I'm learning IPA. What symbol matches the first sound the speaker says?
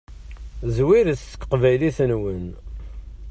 z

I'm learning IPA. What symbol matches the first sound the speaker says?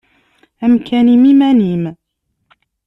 ʔ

